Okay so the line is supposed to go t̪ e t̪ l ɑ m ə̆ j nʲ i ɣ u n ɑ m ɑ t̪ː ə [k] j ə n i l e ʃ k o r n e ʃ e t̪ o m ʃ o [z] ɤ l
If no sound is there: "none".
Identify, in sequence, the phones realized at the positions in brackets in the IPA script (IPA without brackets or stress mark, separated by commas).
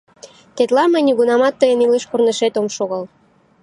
none, ɣ